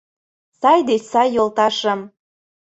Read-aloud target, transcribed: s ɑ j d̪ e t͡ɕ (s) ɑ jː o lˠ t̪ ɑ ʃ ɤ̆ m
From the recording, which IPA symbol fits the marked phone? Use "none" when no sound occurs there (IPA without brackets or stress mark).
s